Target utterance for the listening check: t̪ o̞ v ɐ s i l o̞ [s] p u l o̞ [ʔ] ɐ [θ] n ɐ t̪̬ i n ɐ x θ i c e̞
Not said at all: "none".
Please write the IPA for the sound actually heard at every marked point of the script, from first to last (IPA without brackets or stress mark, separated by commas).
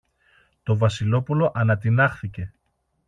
none, ʔ, none